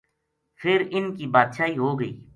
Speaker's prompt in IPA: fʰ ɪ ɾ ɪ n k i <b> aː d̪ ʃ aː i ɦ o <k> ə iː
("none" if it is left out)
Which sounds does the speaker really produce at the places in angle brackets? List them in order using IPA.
b, ɡ

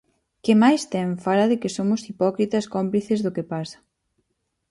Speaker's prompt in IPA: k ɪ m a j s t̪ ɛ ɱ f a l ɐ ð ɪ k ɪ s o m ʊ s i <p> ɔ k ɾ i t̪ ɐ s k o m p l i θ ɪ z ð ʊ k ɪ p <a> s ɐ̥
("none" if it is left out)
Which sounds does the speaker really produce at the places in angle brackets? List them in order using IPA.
p, a

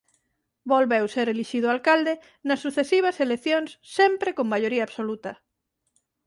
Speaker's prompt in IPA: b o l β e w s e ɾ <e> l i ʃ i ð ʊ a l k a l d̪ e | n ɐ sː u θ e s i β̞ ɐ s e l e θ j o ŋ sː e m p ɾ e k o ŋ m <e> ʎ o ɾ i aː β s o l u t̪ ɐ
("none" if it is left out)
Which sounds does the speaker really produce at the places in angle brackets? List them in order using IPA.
e, a

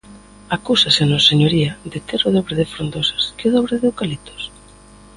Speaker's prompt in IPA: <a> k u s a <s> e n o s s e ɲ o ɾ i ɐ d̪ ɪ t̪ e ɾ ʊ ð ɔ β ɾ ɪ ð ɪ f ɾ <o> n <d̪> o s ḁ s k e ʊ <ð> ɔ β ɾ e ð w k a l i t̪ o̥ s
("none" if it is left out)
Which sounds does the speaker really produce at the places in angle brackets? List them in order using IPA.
a, s, o, d̪, ð

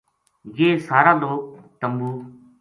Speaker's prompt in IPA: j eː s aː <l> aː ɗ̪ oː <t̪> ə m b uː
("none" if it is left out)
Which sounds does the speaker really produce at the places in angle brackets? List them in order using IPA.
ɾ, t̪

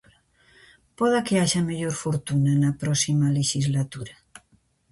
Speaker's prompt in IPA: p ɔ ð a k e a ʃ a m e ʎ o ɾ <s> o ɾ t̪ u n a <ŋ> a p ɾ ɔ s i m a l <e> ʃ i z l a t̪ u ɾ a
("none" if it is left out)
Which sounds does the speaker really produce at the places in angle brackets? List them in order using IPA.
f, n, e

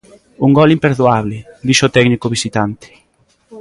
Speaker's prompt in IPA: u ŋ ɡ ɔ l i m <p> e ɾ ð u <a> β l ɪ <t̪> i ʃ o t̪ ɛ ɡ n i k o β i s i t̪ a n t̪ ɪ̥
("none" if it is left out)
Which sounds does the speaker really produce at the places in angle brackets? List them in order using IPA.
p, a, d̪

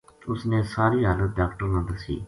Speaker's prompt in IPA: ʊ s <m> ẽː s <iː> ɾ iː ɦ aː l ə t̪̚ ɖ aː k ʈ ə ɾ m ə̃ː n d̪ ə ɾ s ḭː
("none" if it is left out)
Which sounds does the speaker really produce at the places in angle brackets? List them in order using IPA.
n, aː

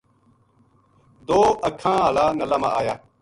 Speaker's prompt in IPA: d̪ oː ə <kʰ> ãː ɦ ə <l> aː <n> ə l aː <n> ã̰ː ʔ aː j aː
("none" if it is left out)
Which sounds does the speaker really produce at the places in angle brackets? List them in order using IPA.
kʰ, l, n, m

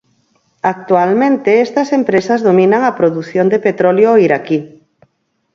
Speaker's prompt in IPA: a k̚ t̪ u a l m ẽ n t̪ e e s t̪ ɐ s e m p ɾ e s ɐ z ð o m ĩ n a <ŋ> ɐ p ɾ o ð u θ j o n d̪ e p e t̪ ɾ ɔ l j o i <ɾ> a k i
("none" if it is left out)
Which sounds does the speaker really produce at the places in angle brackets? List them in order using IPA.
ŋ, ɾ

